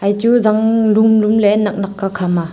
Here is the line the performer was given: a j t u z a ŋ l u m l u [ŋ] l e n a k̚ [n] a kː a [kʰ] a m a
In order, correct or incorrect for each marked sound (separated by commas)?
incorrect, correct, correct